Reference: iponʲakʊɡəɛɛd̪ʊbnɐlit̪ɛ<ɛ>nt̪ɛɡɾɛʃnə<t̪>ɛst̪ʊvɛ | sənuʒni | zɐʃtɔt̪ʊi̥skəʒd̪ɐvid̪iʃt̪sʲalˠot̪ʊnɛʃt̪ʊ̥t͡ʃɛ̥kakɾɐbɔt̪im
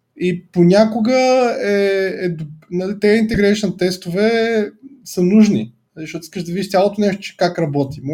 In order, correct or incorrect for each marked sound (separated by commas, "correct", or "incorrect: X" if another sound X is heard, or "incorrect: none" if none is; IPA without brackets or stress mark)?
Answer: incorrect: i, correct